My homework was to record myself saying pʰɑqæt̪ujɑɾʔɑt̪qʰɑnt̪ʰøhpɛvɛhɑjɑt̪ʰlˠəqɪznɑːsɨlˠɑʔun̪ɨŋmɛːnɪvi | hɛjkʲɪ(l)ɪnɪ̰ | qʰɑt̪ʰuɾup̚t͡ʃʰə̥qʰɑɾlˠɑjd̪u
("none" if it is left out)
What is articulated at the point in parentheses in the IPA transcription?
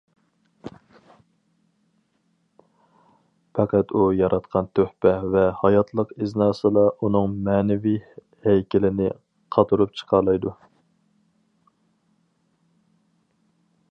l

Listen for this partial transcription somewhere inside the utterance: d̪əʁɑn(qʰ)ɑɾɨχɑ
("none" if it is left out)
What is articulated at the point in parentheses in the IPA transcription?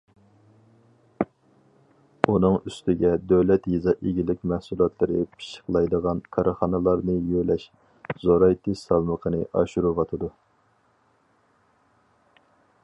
kʰ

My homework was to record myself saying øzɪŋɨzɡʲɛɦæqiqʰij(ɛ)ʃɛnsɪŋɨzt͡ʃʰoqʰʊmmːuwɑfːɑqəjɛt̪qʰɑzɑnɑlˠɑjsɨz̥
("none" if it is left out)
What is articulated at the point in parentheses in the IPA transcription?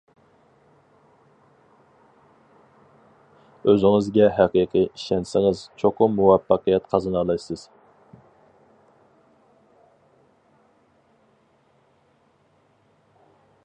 i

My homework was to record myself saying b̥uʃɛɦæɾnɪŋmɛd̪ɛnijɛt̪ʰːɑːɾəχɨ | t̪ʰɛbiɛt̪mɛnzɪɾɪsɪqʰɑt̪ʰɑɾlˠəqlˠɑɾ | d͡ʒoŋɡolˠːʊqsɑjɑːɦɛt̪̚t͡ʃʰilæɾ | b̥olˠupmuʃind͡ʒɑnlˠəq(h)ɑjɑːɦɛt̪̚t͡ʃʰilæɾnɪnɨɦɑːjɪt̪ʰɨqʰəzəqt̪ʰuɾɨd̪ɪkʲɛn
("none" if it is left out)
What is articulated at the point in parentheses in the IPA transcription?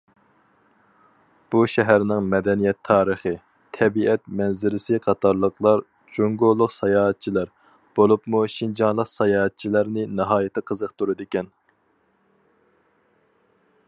s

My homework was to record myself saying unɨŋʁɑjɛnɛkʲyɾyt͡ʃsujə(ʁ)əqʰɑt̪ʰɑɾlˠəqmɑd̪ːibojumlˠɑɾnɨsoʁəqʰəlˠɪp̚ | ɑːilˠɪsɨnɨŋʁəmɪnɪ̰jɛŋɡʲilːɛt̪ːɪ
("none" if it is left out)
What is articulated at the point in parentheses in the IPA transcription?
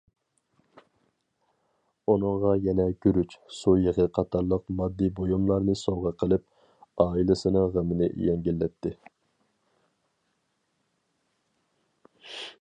ʁ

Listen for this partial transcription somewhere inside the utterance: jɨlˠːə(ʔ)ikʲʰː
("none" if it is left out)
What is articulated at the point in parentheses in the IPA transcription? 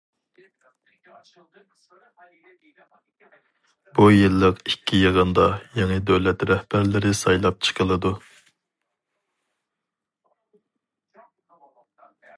q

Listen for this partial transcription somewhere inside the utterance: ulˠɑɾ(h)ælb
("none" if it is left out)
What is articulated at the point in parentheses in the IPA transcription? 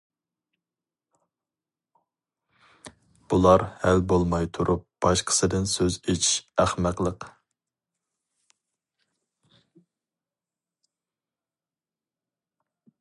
h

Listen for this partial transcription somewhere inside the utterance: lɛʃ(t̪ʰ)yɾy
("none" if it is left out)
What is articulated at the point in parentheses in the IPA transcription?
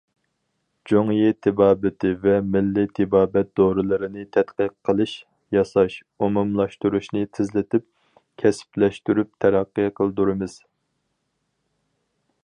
t̪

